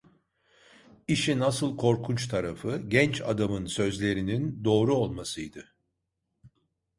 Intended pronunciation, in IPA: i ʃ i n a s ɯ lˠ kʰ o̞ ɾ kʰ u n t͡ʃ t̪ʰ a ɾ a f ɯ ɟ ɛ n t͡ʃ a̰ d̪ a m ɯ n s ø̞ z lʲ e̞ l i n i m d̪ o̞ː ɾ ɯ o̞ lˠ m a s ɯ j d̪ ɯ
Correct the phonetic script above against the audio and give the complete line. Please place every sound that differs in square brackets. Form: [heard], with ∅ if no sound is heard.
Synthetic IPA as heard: i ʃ i n a s ɯ lˠ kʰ o̞ ɾ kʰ u n t͡ʃ t̪ʰ a ɾ a f ɯ ɟ ɛ n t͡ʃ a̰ d̪ a m ɯ n s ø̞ z lʲ e̞ [ɾ] i n i [n] d̪ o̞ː ɾ [u] o̞ lˠ m a s ɯ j d̪ ɯ

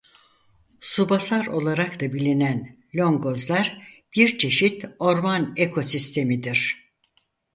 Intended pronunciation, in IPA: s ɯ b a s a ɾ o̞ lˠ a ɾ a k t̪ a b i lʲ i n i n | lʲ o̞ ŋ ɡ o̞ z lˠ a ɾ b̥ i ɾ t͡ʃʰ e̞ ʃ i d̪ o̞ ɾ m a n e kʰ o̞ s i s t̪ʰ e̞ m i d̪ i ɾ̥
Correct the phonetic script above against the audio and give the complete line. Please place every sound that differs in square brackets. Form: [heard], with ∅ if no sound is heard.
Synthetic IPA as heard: s [u] b a s a ɾ o̞ lˠ a ɾ a k t̪ a b i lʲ i n [æ] n | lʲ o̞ ŋ ɡ o̞ z lˠ a ɾ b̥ i ɾ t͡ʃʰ e̞ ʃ i [t̪] o̞ ɾ m a n e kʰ o̞ s i s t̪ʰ e̞ m i d̪ i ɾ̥

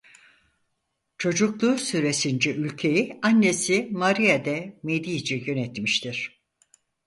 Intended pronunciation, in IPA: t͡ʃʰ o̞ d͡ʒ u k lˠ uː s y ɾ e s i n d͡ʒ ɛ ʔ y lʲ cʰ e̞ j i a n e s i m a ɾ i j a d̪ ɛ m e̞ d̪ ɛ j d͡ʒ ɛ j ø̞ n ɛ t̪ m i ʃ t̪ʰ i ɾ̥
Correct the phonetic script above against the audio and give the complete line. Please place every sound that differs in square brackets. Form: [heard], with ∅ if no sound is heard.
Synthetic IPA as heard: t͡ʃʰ o̞ d͡ʒ u k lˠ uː s y ɾ e s i n d͡ʒ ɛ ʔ y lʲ cʰ e̞ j i a [nː] e s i m a ɾ i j a d̪ ɛ m e̞ d̪ [i] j d͡ʒ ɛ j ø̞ n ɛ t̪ m i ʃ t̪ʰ i ɾ̥

